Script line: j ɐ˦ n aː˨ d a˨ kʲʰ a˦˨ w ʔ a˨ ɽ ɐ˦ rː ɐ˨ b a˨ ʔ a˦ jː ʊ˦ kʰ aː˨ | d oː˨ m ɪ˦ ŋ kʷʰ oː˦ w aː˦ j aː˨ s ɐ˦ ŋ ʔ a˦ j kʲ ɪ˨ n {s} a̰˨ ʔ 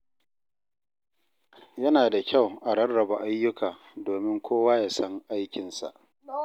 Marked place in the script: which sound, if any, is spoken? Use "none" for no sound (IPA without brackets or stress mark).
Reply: s